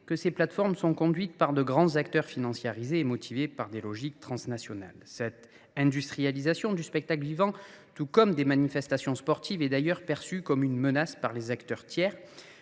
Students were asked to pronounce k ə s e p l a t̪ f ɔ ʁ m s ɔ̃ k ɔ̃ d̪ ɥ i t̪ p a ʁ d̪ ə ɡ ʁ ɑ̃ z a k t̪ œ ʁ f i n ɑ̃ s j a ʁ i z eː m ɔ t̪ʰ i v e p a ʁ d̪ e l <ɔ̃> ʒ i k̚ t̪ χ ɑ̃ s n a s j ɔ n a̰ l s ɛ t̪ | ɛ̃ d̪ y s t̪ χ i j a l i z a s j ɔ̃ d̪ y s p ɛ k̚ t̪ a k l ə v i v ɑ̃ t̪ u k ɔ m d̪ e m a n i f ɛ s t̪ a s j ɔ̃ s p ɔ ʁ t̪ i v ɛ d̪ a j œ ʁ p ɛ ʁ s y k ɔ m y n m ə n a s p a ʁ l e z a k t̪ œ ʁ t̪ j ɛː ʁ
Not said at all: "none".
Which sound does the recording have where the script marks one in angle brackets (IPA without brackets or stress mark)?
ɔ